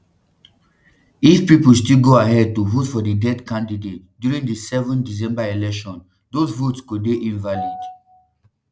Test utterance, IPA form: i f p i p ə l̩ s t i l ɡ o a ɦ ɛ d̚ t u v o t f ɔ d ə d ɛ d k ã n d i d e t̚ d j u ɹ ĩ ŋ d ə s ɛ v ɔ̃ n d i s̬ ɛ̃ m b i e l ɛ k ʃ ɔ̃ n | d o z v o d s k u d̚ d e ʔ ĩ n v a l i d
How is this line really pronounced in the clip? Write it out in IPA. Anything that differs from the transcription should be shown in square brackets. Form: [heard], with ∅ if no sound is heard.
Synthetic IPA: i f p i p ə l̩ s t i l ɡ o a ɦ ɛ d̚ t u v o t f ɔ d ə d ɛ d k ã n d i d e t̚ d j u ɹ ĩ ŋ d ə s ɛ v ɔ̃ n d i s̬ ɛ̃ m b [a] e l ɛ k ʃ ɔ̃ n | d o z v o [t] s k u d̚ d e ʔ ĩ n v a l i d